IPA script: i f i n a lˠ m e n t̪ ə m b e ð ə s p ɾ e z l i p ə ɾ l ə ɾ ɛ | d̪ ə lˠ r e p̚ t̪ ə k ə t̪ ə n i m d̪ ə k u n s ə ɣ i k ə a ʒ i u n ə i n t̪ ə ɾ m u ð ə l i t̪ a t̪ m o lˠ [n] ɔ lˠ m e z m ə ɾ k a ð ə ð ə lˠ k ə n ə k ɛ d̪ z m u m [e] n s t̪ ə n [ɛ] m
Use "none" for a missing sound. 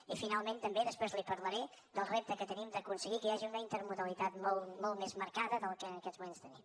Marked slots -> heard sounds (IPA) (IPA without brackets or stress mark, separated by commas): m, e, i